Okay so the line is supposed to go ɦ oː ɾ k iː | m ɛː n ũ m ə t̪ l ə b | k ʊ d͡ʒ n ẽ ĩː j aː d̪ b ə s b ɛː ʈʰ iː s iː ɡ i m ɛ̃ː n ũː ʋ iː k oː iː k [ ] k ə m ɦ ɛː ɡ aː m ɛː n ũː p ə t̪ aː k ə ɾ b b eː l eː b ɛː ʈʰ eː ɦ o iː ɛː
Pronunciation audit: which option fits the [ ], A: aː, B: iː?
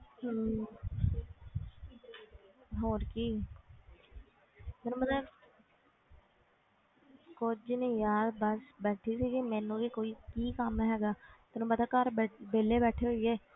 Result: B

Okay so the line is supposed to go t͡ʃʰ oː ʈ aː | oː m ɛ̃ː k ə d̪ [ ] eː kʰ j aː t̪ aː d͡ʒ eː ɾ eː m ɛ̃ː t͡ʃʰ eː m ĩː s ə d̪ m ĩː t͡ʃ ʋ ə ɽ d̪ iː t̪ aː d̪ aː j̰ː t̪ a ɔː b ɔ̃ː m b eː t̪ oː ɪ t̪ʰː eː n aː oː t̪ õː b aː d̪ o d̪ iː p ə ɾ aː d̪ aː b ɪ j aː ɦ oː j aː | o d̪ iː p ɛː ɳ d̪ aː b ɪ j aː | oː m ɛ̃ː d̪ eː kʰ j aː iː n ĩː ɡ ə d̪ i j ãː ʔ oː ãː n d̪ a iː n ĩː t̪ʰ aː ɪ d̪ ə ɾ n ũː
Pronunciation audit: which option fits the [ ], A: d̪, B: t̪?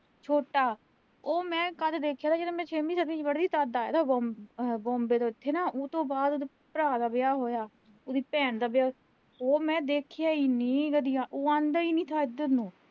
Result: A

